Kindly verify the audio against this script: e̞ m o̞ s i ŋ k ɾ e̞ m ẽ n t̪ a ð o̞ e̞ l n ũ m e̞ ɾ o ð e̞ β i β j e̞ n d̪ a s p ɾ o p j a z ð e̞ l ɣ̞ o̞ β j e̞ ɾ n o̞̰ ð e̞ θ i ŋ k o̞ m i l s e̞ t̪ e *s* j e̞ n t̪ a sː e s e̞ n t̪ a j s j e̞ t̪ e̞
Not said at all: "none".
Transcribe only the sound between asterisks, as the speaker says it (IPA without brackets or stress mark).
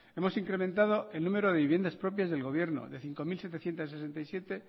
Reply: θ